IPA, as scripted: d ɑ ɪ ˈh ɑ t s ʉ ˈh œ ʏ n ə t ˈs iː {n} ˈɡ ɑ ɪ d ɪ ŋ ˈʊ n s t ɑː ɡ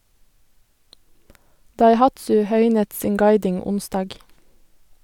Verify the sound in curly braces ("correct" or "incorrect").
incorrect